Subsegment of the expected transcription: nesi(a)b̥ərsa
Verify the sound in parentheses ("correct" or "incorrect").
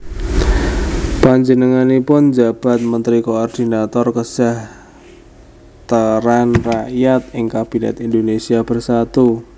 correct